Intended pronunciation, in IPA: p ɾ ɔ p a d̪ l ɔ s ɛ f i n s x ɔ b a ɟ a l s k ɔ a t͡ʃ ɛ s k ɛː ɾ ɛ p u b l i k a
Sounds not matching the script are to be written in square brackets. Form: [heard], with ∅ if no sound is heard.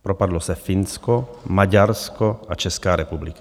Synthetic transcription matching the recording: p ɾ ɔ p a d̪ l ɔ s ɛ f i n s [k] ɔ [m] a ɟ a [ɾ] s k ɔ a t͡ʃ ɛ s k [aː] ɾ ɛ p u b l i k a